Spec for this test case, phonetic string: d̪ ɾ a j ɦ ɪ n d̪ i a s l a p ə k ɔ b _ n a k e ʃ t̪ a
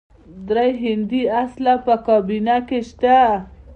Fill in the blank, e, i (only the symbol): i